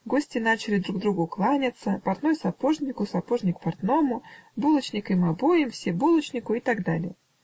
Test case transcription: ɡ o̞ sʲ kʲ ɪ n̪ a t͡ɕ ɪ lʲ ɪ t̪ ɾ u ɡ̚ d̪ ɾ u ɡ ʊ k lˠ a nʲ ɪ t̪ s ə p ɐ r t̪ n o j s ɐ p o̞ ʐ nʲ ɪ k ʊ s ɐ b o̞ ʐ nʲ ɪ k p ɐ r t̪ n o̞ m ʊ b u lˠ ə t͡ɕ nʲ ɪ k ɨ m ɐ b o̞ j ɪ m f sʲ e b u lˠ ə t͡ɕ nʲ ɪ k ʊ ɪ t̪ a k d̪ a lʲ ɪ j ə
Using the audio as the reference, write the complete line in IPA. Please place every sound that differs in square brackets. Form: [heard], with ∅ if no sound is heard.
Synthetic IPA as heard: ɡ o̞ sʲ [tʲ] ɪ n̪ a t͡ɕ ɪ lʲ ɪ [d̪] ɾ u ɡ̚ d̪ ɾ u ɡ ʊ k lˠ a nʲ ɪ t̪ s ə p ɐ r t̪ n o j s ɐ p o̞ ʐ nʲ ɪ k ʊ s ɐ [p] o̞ ʐ nʲ ɪ k p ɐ r t̪ n o̞ m ʊ b u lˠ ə t͡ɕ nʲ ɪ k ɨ m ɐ b o̞ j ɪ m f sʲ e b u lˠ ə t͡ɕ nʲ ɪ k ʊ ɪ t̪ a [ɡ] d̪ a lʲ ɪ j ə